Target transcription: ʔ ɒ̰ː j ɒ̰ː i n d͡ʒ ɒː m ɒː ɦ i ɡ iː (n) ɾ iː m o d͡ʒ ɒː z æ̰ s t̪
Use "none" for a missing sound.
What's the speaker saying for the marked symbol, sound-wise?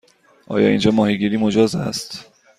none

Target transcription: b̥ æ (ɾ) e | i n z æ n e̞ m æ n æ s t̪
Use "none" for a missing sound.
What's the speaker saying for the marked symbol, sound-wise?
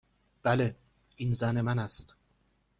l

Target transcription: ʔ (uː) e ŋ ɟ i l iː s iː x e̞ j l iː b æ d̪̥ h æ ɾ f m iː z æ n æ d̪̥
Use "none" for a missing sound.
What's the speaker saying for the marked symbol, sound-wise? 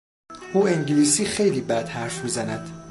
uː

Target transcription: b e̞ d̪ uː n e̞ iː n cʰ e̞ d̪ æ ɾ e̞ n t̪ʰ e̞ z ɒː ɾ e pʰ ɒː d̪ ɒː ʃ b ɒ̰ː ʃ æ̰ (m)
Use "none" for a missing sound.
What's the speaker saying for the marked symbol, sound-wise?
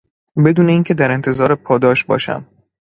m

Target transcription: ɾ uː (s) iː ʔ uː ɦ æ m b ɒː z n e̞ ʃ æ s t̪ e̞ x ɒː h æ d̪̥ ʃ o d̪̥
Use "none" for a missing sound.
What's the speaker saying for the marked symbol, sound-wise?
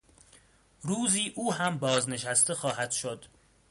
z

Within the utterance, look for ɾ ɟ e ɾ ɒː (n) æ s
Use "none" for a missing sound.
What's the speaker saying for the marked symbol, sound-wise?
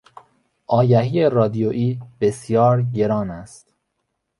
n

